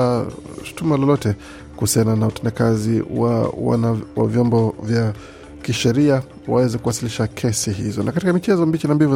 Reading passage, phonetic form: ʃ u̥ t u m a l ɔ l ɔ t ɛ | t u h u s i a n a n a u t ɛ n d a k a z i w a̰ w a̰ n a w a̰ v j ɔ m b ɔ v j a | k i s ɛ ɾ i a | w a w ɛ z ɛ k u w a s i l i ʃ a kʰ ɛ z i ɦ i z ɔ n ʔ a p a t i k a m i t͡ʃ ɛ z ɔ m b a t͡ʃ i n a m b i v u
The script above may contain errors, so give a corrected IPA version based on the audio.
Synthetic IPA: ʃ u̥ t u m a l ɔ l ɔ t ɛ | k u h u s i a n a n a u t ɛ n d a k a z i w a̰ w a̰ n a w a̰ v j ɔ m b ɔ v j a | k i ʃ ɛ ɾ i a | w a w ɛ z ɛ k u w a s i l i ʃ a kʰ ɛ s i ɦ i z ɔ n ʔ a k a t i k a m i t͡ʃ ɛ z ɔ m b i t͡ʃ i n a m b i v u